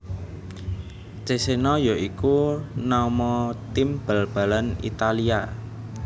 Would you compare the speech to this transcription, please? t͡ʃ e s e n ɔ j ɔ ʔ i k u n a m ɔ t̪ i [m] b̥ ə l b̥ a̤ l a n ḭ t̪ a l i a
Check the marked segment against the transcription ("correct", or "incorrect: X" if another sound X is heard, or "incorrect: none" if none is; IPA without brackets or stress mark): correct